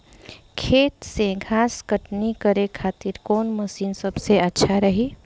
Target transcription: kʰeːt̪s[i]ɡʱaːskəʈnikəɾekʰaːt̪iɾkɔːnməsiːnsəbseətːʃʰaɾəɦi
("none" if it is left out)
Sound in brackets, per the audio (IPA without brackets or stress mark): e